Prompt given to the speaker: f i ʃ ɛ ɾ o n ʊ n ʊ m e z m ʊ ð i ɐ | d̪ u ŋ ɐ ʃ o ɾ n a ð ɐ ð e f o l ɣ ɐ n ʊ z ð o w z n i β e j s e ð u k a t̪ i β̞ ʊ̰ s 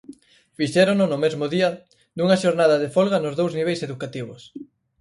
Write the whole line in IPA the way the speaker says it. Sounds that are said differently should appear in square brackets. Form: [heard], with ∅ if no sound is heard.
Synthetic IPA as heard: f i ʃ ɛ ɾ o n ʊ n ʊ m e z m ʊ ð i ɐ | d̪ u ŋ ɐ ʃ o ɾ n a ð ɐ ð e f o l ɣ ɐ n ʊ z ð o w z n i β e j s e ð u k a t̪ i β̞ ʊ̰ s

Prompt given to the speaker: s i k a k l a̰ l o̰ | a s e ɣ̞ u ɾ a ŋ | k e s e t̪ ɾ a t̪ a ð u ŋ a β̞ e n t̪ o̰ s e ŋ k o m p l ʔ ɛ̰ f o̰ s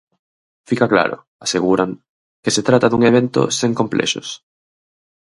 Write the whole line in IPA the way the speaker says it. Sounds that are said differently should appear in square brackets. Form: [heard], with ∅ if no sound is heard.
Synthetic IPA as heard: [f] i k a k l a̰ [ɾ] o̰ | a s e ɣ̞ u ɾ a ŋ | k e s e t̪ ɾ a t̪ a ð u ŋ [e] β̞ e n t̪ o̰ s e ŋ k o m p l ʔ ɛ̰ [ʃ] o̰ s

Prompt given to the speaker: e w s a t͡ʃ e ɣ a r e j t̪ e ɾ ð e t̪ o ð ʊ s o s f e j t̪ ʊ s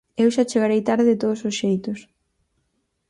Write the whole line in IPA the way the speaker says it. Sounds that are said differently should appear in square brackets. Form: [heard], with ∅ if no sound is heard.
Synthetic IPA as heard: e w [ʃ] a t͡ʃ e ɣ a [ɾ] e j t̪ [a] ɾ ð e t̪ o ð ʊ s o s [ʃ] e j t̪ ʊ s

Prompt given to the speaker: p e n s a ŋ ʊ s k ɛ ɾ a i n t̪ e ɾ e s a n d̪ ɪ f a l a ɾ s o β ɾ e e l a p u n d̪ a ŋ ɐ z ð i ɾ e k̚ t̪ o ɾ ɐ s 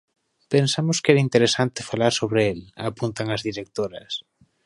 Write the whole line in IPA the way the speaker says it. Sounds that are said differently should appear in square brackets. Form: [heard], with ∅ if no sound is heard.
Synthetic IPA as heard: p e n s a [m] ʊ s k ɛ ɾ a i n t̪ e ɾ e s a n [t̪] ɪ f a l a ɾ s o β ɾ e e l a p u n [t̪] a ŋ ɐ z ð i ɾ e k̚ t̪ o ɾ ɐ s

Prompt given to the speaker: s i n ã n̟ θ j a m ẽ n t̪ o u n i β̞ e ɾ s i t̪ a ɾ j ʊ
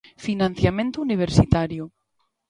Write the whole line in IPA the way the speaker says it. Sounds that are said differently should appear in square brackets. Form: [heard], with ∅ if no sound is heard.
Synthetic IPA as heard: [f] i n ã n̟ θ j a m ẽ n t̪ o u n i β̞ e ɾ s i t̪ a ɾ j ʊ

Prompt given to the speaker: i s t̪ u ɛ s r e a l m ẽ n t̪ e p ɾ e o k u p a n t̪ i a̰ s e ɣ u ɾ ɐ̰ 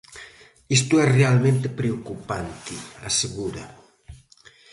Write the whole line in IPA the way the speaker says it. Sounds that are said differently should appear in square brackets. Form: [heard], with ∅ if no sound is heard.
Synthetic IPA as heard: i s t̪ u ɛ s r e a l m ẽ n t̪ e p ɾ e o k u p a n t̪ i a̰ s e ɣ u ɾ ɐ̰

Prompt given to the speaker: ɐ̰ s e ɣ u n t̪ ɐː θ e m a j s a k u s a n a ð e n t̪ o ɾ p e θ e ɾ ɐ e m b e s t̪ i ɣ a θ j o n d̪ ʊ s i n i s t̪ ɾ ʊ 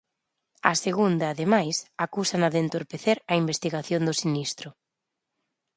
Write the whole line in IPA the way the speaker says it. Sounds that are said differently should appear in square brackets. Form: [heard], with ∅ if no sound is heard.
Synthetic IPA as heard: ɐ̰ s e ɣ u n [d̪] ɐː [ð] e m a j s a k u s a n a ð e n t̪ o ɾ p e θ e ɾ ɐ [i] m b e s t̪ i ɣ a θ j o n d̪ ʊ s i n i s t̪ ɾ ʊ

